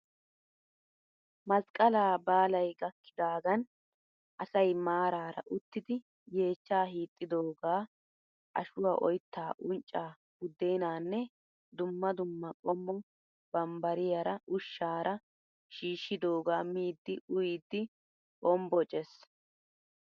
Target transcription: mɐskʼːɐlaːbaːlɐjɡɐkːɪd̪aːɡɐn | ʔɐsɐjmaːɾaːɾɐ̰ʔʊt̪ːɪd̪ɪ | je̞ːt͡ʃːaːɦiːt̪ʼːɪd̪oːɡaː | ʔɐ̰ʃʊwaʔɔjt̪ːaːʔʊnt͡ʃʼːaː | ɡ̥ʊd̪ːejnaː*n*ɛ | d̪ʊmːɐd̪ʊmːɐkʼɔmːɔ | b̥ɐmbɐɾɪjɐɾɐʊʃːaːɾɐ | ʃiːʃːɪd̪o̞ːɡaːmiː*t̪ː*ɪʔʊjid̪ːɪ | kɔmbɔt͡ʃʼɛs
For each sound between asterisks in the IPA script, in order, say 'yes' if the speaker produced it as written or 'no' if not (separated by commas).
no, no